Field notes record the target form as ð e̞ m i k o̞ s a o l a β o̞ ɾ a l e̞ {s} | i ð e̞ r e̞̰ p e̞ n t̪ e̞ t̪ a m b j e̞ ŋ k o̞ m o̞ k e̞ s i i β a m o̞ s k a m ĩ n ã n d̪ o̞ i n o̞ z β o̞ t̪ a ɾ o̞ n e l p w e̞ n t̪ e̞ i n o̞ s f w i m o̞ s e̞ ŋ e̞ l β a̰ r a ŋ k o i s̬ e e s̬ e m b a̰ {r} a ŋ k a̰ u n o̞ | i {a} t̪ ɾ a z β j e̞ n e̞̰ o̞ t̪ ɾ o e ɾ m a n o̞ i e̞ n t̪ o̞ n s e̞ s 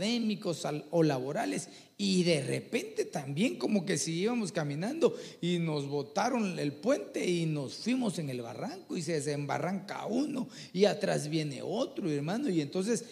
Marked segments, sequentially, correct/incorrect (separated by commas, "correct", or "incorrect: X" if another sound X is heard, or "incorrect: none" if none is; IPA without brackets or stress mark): correct, correct, correct